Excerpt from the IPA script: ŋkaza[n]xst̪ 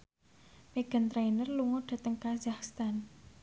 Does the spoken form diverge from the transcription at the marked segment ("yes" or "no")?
yes